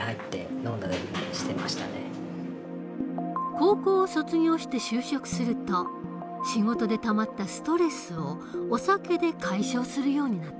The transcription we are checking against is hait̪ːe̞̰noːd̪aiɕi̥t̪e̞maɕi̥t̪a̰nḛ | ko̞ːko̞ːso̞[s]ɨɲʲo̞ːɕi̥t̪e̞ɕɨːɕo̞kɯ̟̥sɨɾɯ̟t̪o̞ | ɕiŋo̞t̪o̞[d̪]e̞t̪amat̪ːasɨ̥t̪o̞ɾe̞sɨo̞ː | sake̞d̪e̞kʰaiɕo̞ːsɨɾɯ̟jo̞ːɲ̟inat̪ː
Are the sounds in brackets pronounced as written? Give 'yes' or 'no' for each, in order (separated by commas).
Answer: no, yes